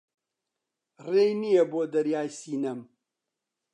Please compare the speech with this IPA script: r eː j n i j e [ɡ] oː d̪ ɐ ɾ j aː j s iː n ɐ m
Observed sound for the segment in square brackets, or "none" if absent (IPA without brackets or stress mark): b